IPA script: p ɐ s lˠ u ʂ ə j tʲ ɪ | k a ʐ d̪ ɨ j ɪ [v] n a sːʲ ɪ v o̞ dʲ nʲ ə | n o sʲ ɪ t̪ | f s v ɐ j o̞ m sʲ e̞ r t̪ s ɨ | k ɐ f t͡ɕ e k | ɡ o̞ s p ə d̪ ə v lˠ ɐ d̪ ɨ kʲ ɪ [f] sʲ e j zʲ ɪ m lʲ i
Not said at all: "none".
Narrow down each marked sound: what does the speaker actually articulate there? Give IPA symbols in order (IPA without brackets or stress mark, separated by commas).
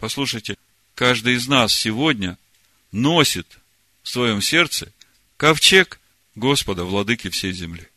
z, f